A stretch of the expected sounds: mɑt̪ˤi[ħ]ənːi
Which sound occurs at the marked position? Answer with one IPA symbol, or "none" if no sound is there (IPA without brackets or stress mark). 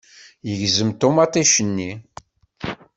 ʃ